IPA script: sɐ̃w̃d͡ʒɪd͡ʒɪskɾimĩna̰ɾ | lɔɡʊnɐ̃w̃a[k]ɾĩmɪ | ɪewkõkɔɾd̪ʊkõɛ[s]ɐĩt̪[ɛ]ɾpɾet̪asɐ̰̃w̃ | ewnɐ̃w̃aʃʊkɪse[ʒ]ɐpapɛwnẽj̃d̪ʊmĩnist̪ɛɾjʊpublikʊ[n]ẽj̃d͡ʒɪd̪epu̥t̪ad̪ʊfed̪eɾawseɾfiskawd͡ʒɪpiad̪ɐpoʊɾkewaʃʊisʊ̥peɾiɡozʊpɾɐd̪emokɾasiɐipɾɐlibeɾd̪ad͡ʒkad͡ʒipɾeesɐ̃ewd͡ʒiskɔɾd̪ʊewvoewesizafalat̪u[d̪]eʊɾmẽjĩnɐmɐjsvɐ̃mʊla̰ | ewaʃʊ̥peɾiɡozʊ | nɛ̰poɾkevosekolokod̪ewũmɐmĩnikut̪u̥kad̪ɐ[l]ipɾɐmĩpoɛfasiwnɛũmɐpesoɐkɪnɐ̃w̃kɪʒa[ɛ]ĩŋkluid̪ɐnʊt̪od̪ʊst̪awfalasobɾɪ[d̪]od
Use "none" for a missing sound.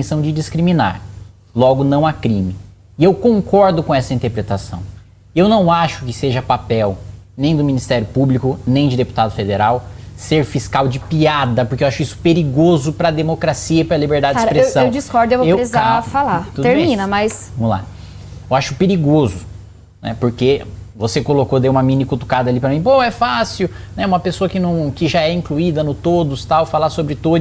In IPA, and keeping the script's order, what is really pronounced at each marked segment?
k, s, e, ʒ, n, d̪, l, ɛ, t̪

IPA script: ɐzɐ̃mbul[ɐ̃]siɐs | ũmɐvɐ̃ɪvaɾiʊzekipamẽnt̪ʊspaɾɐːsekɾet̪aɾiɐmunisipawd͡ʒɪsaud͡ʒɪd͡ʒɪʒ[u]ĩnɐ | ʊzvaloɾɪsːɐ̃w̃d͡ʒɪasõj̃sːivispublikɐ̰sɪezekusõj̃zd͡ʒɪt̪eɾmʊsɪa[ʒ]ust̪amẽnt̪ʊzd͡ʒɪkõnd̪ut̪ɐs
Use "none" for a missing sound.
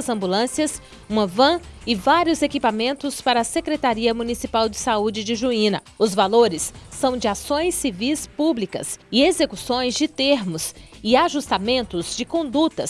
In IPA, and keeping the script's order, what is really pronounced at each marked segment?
ɐ̃, u, ʒ

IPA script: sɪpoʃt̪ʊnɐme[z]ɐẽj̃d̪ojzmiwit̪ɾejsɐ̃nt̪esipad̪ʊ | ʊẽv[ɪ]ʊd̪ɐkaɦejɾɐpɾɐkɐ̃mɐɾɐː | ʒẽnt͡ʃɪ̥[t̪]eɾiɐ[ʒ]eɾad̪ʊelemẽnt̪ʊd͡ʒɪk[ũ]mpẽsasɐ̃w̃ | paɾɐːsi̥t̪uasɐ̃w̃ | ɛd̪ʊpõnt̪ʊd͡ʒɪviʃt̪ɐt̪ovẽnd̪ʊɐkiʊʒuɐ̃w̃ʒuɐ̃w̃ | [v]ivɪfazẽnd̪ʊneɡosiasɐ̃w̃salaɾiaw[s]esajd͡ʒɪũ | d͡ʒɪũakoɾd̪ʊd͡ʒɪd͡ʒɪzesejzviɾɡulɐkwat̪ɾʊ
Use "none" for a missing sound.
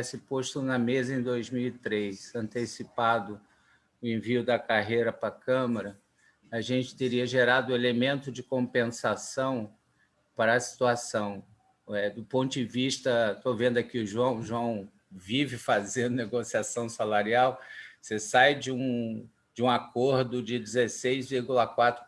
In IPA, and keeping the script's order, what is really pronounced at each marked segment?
z, i, t̪, ʒ, õ, v, s

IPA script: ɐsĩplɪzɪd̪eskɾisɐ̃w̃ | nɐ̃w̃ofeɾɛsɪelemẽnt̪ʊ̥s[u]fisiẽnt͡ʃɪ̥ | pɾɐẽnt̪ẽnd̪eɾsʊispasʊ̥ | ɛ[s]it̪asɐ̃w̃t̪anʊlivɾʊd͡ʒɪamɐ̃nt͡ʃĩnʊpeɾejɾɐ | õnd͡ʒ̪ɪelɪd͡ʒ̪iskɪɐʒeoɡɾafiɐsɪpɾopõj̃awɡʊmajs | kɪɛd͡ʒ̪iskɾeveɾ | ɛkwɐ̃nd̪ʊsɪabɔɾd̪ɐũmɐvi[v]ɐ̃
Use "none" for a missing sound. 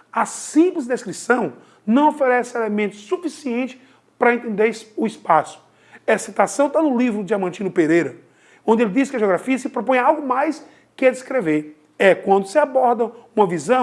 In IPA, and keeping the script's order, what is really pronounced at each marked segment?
u, s, z

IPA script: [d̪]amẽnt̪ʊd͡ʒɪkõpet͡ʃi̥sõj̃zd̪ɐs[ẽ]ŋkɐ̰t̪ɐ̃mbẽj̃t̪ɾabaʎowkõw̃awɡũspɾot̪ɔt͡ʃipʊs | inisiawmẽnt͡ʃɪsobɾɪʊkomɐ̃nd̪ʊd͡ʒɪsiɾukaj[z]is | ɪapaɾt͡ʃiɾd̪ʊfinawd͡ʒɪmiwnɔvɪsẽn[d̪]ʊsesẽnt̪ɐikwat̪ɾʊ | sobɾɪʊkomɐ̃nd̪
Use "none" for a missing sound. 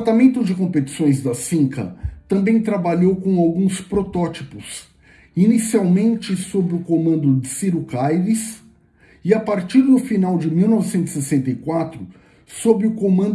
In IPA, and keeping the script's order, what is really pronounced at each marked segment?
t̪, ĩ, v, t̪

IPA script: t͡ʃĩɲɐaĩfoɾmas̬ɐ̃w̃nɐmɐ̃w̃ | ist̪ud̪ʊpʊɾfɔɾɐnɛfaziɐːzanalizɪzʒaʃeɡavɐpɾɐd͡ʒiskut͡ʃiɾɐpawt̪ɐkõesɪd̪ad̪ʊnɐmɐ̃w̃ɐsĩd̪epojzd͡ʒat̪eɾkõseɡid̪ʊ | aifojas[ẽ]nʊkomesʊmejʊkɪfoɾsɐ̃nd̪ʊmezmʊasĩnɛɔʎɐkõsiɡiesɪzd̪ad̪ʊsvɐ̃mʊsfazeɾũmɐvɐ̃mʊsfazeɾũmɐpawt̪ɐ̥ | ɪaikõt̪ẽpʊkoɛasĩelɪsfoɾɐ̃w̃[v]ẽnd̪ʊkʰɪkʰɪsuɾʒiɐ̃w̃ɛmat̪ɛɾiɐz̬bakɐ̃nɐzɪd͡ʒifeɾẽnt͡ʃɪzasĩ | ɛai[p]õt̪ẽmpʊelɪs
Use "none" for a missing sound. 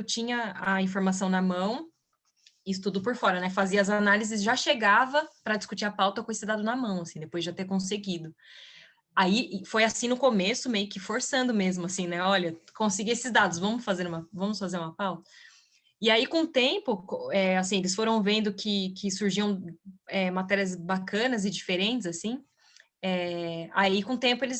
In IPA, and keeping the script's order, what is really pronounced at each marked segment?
ĩ, v, k

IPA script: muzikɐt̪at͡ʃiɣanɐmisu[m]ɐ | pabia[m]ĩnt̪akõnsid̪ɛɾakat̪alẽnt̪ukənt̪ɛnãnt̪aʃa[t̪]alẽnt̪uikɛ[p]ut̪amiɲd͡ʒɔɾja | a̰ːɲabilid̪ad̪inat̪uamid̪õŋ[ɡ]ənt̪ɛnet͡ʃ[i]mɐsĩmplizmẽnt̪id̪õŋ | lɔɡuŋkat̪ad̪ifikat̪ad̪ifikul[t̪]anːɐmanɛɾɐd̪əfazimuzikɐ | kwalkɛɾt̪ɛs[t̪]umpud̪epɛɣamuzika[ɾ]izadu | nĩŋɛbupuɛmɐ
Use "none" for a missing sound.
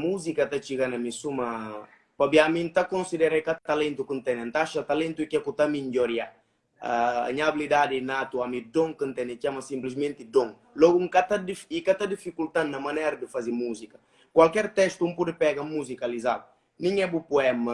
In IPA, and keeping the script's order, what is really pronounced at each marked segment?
m, m, t̪, k, k, a, t̪, t̪, l

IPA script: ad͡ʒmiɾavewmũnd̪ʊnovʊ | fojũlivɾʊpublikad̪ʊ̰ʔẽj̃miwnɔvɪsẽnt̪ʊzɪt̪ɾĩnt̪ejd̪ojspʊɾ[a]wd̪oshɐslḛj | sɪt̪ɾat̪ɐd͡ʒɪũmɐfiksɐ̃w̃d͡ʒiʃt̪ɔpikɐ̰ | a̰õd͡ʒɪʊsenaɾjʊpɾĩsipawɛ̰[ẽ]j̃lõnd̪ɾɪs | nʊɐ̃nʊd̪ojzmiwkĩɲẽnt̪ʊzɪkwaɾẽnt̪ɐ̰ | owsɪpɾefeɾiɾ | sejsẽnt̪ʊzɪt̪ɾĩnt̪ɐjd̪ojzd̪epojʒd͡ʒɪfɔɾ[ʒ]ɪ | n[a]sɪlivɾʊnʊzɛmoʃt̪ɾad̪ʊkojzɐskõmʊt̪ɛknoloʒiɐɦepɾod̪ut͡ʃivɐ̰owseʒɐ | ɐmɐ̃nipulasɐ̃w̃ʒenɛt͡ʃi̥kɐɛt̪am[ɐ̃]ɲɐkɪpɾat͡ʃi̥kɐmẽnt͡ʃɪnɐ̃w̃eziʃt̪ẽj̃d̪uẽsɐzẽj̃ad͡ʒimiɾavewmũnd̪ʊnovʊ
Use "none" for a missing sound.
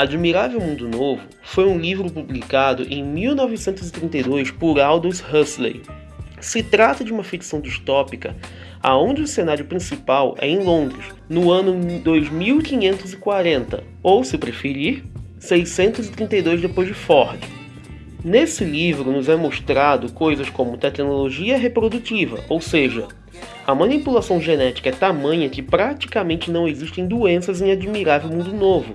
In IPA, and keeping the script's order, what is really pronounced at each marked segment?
a, ẽ, d͡ʒ, e, ɐ̃

